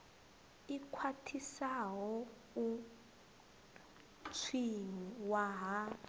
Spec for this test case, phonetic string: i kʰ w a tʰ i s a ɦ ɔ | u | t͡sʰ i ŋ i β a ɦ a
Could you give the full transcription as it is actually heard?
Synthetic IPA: i kʰ w a tʰ i s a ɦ ɔ | u | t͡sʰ i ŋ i w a ɦ a